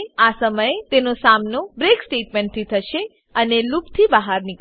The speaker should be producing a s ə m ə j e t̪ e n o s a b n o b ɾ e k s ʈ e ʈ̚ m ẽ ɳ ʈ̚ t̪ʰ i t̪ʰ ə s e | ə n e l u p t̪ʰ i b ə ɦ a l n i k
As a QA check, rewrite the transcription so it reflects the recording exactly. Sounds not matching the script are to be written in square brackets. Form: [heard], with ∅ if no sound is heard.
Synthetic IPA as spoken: a s ə m ə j e t̪ e n o s a [m] n o b ɾ e k s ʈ e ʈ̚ m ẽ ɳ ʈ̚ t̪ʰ i t̪ʰ ə [ʃ] e | ə n e l u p t̪ʰ i b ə ɦ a [ɾ] n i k